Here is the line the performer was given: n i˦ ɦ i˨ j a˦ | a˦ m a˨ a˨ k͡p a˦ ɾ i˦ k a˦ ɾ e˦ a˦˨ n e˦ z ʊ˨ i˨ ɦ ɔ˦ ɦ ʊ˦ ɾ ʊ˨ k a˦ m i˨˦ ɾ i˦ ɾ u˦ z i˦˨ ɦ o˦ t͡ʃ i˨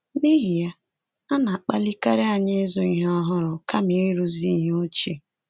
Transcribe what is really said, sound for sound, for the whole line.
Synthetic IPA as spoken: n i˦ ɦ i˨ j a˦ | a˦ n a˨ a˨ k͡p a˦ l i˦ k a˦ ɾ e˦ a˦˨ ɲ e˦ z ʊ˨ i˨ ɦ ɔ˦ ɦ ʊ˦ ɾ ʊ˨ k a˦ m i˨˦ ɾ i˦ ɾ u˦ z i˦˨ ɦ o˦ t͡ʃ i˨